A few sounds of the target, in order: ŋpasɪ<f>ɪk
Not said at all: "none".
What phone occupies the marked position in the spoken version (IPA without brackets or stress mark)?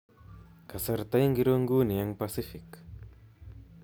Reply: f